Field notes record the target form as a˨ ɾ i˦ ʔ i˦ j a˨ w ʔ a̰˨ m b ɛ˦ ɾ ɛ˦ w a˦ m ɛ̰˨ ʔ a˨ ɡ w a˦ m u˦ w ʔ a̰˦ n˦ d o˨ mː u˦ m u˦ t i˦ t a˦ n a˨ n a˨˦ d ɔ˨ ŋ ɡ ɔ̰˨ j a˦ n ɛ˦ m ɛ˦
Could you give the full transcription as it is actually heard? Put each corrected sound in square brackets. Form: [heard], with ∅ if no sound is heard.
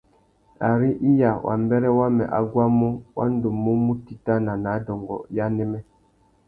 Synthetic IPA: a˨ ɾ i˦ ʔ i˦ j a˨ w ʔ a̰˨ m b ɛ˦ ɾ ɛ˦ w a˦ m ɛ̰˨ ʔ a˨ ɡ w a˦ m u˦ w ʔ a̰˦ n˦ d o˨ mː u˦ m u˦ t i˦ t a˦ n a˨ n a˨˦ d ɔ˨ ŋ ɡ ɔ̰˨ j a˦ n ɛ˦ m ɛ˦